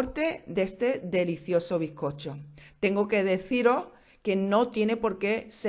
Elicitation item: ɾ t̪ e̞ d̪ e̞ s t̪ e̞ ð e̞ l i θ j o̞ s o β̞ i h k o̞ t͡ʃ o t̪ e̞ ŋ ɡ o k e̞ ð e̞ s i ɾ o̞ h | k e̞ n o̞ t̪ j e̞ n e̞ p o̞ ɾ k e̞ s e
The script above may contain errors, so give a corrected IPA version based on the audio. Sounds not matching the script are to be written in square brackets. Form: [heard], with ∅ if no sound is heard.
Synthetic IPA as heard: ɾ t̪ e̞ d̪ e̞ s t̪ e̞ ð e̞ l i θ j o̞ s o β̞ i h k o̞ t͡ʃ o t̪ e̞ ŋ ɡ o k e̞ ð e̞ [θ] i ɾ o̞ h | k e̞ n o̞ t̪ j e̞ n e̞ p o̞ ɾ k e̞ s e